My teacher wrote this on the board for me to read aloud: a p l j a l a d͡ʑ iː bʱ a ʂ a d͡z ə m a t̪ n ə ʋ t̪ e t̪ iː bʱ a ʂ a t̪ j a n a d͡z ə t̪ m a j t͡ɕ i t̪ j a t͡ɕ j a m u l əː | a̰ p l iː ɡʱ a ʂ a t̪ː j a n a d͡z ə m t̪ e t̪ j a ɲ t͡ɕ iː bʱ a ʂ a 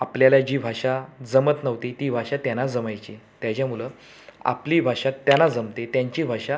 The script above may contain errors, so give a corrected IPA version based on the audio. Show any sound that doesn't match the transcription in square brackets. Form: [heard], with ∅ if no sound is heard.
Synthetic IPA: a p l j a l a d͡ʑ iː bʱ a ʂ a d͡z ə m [ə] t̪ n ə ʋ t̪ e t̪ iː bʱ a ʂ a t̪ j a n a d͡z ə [∅] m a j t͡ɕ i t̪ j a t͡ɕ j a m u l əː | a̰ p l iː [bʱ] a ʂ a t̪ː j a n a d͡z ə m t̪ e t̪ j a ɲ t͡ɕ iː bʱ a ʂ a